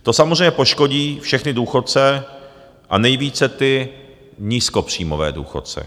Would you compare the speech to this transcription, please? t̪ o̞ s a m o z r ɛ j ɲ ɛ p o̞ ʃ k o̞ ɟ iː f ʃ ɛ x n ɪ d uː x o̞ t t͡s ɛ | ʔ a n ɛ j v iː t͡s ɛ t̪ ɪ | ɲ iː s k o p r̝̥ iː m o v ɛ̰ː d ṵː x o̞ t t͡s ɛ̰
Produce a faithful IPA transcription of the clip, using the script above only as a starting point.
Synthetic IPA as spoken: t̪ o̞ s a m o z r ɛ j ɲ ɛ p o̞ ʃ k o̞ ɟ iː f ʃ ɛ x n ɪ d uː x o̞ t t͡s ɛ | ʔ a n ɛ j v iː t͡s ɛ t̪ ɪ | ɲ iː s k o p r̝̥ iː m o v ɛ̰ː d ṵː x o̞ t t͡s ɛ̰